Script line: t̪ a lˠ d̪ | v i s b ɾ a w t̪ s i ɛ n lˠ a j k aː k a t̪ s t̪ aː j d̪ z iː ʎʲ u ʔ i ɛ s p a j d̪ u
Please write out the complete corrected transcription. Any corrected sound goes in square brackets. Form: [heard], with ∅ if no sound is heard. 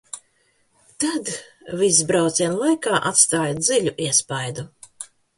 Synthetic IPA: t̪ a [∅] d̪ | v i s b ɾ a w t̪ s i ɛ n lˠ a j k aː [ʔ] a t̪ s t̪ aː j d̪ z [i] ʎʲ u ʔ i ɛ s p a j d̪ u